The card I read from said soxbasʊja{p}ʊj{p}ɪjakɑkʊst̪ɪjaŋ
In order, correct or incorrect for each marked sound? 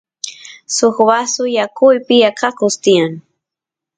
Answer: incorrect: k, correct

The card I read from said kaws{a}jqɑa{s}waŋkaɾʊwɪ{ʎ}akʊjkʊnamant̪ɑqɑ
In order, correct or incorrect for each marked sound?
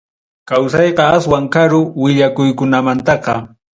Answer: incorrect: ɑ, correct, correct

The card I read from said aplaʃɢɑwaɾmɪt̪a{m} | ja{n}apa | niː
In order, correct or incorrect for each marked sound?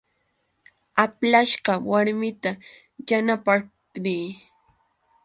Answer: incorrect: none, correct

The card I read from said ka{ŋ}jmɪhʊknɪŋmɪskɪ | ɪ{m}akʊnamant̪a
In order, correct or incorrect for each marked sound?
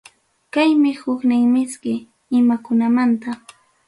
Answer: incorrect: none, correct

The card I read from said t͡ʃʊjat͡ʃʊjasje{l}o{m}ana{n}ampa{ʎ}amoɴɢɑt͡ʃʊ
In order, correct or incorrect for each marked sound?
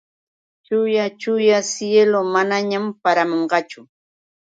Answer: correct, correct, incorrect: ɲ, incorrect: ɾ

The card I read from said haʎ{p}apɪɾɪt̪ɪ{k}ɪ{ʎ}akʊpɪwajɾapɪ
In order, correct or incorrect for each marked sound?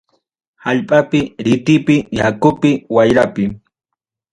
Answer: incorrect: pʼ, incorrect: p, incorrect: j

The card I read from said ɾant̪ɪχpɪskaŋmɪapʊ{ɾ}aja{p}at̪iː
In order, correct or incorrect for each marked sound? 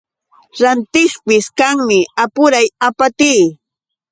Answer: correct, correct

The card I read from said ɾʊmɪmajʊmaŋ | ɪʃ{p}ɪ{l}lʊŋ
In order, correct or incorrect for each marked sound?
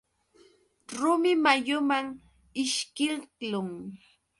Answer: incorrect: k, correct

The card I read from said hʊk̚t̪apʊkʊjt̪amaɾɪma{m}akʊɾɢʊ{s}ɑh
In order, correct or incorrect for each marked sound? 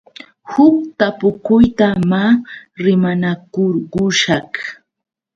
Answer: incorrect: n, incorrect: ʃ

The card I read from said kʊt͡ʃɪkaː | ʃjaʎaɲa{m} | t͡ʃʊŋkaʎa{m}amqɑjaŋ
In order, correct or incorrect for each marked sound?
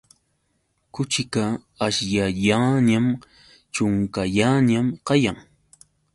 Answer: correct, incorrect: ɲ

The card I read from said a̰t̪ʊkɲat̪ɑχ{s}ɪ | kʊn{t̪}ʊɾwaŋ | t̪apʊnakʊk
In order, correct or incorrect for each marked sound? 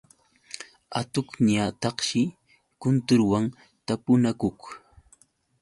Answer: incorrect: ʃ, correct

